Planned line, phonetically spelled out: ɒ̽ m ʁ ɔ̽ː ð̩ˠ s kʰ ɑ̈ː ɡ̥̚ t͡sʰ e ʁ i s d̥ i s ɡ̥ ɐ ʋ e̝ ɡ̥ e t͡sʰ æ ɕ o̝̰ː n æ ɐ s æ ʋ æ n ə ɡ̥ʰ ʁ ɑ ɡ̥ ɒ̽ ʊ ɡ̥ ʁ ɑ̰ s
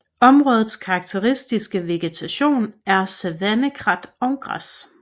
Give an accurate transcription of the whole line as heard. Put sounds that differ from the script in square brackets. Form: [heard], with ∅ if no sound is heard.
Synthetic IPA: ɒ̽ m ʁ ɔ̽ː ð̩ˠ s kʰ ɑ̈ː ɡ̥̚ t͡sʰ e ʁ i s d̥ i s ɡ̥ [ə] ʋ e̝ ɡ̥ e t͡sʰ æ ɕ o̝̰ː n æ ɐ s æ ʋ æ n ə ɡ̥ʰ ʁ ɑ [d̥] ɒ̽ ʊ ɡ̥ ʁ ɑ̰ s